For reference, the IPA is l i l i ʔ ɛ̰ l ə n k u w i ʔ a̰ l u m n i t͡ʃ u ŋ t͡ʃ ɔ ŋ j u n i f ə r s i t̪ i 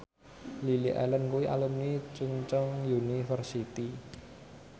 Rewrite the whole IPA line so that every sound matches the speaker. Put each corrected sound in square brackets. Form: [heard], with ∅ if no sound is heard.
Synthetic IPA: l i l i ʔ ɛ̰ l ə n k u w i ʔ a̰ l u m n i t͡ʃ u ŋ t͡ʃ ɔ ŋ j u n i f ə r s i t̪ i